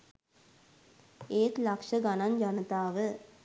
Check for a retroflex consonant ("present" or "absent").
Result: present